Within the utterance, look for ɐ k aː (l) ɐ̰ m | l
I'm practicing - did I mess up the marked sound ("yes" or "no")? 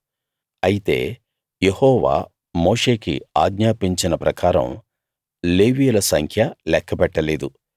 yes